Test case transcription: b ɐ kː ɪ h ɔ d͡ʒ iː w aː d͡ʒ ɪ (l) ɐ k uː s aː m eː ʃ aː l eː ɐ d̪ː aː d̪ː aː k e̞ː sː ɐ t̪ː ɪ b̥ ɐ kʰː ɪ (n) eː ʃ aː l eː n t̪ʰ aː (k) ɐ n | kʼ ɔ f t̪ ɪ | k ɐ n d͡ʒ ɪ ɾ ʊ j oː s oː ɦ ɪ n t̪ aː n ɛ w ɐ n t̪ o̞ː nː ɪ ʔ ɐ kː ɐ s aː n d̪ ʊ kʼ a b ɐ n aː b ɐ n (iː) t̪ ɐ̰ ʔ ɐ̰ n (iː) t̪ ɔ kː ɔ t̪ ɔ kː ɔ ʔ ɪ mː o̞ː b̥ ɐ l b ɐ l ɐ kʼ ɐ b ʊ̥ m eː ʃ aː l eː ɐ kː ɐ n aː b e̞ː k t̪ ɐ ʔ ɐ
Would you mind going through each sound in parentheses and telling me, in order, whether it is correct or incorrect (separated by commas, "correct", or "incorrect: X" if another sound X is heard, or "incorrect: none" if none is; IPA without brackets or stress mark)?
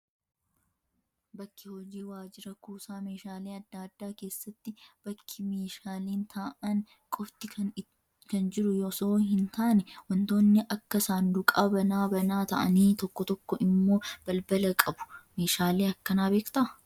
incorrect: ɾ, incorrect: m, incorrect: ʔ, incorrect: aː, correct